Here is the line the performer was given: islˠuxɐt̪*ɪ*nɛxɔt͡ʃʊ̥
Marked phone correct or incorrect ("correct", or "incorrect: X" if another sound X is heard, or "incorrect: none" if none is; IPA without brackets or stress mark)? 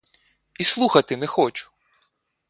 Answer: correct